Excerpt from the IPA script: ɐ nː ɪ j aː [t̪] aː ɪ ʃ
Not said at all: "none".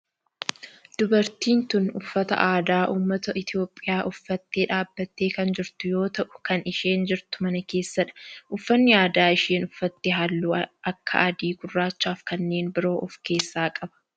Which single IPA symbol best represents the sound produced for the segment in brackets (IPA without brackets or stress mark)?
d̪